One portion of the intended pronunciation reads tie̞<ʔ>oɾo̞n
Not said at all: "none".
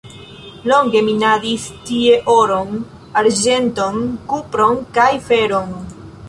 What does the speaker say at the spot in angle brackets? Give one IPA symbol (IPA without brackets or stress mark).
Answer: ʔ